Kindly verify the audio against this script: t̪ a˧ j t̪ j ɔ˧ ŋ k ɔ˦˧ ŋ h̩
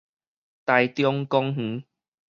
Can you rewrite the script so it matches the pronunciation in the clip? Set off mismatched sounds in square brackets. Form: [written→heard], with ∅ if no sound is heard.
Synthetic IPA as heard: t̪ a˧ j t̪ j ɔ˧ ŋ k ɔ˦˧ ŋ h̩